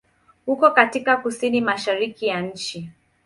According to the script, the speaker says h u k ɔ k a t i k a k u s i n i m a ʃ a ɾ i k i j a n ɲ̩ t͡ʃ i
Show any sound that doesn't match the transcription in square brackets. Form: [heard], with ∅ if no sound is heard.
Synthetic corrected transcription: h u k ɔ k a t i k a k u s i n i m a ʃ a ɾ i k i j a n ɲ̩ t͡ʃ i

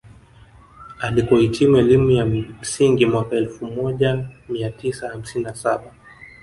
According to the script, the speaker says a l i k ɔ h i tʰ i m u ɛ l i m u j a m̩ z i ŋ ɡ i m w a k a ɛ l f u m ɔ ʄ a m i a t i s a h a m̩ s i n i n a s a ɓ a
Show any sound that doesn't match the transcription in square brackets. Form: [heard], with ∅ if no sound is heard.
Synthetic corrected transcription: a l i k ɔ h i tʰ i m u ɛ l i m u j a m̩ [s] i ŋ ɡ i m w a k a ɛ l f u m ɔ ʄ a m i a t i s a h a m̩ s i n i n a s a ɓ a

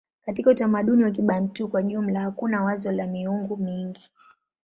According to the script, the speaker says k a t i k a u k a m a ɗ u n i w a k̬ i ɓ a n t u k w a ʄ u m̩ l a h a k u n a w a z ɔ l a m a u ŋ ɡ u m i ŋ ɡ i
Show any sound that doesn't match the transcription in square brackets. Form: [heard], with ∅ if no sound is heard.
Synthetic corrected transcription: k a t i k a u [t] a m a ɗ u n i w a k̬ i ɓ a n t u k w a ʄ u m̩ l a h a k u n a w a z ɔ l a m [i] u ŋ ɡ u m i ŋ ɡ i

